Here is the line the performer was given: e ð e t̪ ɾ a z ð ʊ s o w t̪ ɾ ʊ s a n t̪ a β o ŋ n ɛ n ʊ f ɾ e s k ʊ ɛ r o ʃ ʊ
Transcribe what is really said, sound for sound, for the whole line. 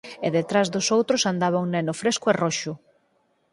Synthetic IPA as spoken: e ð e t̪ ɾ a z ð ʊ s o w t̪ ɾ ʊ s a n d̪ a β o ŋ n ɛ n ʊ f ɾ e s k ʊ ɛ r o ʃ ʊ